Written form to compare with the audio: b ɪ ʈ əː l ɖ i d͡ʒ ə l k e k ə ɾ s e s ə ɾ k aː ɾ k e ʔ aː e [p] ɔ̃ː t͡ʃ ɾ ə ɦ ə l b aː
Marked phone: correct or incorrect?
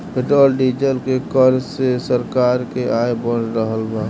incorrect: b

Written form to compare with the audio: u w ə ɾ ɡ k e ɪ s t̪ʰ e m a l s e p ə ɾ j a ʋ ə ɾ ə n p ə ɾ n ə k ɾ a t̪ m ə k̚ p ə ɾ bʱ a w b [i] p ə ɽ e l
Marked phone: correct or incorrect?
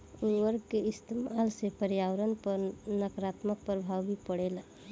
correct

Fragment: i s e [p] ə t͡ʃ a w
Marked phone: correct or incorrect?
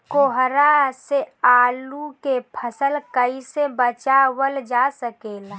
incorrect: b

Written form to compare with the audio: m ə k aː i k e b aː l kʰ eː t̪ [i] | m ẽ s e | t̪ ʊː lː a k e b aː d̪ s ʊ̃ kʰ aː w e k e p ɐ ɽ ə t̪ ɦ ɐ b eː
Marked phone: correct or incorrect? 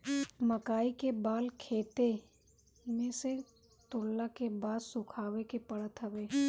incorrect: e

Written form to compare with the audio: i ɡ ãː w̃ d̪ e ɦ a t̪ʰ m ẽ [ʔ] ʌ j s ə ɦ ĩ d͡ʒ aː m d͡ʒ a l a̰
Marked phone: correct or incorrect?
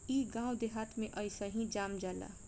correct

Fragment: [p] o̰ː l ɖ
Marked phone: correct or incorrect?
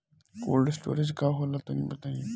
incorrect: k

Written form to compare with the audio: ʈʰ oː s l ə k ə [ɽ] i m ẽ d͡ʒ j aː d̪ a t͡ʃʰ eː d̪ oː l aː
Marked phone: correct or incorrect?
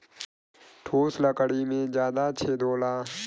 correct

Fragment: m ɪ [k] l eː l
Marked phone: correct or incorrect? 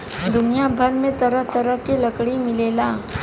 incorrect: none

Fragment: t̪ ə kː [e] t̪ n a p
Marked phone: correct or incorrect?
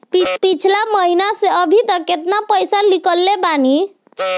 correct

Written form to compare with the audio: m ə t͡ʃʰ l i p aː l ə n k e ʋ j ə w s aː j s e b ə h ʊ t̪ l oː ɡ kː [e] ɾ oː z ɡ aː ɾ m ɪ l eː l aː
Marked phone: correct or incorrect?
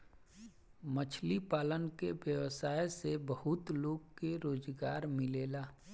correct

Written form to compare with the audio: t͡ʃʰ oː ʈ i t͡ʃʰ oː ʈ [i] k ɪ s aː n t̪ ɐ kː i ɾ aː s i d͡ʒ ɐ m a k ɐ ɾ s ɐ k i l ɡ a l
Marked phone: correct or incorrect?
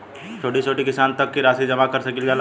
correct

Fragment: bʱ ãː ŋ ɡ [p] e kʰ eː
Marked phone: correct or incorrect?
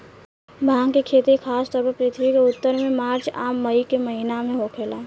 incorrect: k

